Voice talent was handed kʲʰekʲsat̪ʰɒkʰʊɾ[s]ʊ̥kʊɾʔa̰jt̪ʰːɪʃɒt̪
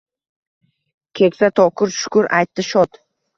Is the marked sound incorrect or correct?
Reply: incorrect